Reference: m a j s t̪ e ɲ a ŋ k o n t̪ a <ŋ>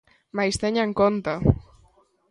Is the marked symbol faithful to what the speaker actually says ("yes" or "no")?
no